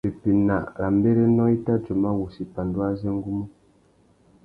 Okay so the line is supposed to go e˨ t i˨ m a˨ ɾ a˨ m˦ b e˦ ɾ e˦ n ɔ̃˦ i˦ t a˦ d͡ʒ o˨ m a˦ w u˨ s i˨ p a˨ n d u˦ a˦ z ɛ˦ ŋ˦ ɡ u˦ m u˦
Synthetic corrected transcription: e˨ p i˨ n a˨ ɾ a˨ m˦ b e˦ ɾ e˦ n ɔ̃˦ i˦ t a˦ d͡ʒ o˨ m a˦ w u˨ s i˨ p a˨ n d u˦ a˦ z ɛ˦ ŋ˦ ɡ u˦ m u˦